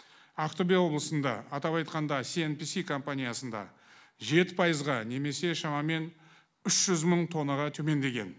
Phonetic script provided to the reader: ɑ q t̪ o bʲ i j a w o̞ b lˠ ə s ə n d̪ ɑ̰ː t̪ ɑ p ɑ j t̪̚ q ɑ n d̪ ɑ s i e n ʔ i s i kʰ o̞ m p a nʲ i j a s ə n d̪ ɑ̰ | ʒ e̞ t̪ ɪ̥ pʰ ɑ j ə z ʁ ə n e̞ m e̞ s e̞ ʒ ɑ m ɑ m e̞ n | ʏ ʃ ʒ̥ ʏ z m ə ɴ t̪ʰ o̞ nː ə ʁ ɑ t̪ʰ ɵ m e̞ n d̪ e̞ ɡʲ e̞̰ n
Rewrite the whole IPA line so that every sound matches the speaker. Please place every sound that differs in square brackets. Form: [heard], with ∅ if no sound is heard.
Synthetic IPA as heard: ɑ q t̪ o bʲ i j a w o̞ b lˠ ə s ə n d̪ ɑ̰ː t̪ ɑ p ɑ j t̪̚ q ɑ n d̪ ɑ s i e n [p] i s i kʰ o̞ m p a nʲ i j a s ə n d̪ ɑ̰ | ʒ e̞ t̪ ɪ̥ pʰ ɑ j ə z ʁ [ɑ] n e̞ m e̞ s e̞ [ʃ] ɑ m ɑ m e̞ n | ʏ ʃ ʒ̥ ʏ z m ə ɴ t̪ʰ o̞ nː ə ʁ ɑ t̪ʰ ɵ m e̞ n d̪ e̞ ɡʲ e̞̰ n